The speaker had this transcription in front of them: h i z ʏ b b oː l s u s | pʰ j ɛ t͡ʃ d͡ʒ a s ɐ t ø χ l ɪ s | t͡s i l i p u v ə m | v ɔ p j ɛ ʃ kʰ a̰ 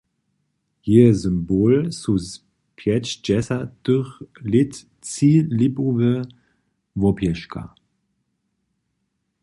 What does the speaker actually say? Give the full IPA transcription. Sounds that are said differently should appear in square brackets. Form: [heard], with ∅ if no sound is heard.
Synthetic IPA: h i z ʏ [m] b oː l s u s | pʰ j ɛ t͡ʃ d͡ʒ [ɛ] s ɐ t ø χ l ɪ [t] | t͡s i l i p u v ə [∅] | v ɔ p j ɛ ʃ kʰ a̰